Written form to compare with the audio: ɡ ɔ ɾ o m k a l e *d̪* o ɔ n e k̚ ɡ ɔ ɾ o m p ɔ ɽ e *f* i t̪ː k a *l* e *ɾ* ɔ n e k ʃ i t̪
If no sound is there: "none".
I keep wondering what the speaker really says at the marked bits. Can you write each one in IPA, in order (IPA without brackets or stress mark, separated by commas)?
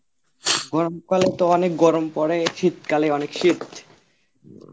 t̪, ʃ, l, none